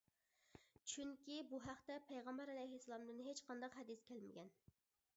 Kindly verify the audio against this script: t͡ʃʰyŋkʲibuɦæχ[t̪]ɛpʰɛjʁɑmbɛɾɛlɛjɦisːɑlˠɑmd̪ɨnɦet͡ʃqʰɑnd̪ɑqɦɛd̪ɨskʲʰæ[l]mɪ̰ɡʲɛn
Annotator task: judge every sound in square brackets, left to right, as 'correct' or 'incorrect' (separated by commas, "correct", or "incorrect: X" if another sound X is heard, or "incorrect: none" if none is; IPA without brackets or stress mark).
correct, correct